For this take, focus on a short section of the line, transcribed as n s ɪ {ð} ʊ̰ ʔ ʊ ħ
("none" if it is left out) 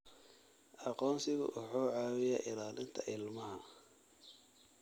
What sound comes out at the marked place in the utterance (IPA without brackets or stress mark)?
ɣ